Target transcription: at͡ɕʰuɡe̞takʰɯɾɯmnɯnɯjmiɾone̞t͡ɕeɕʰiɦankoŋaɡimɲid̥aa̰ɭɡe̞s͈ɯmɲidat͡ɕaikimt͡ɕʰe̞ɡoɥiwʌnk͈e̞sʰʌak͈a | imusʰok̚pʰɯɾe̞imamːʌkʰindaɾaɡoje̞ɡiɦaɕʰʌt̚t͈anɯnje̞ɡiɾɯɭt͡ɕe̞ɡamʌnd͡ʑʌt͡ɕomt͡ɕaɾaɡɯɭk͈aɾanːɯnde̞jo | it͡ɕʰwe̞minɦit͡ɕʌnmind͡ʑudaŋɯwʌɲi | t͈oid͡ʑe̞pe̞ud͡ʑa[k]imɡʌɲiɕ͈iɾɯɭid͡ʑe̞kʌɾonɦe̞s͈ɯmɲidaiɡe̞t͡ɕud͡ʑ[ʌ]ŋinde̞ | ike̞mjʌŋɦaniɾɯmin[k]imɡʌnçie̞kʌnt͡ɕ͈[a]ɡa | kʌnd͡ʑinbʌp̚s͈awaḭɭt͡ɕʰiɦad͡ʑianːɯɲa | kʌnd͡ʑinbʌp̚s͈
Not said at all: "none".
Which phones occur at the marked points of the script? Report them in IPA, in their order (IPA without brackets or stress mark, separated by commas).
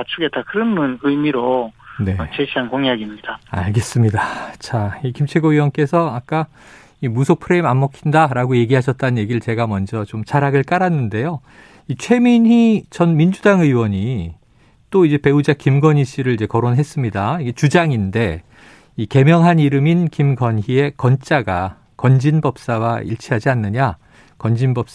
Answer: k, a, k, a